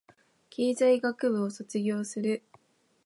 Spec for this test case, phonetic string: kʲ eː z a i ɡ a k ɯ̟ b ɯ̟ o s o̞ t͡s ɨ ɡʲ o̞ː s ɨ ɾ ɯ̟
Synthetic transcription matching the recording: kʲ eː z a i ɡ a k ɯ̟ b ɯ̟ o s o̞ t͡s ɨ ɡʲ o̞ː s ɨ ɾ ɯ̟